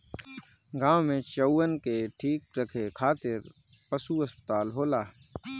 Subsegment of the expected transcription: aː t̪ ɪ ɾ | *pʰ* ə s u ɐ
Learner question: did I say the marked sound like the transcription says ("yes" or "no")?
no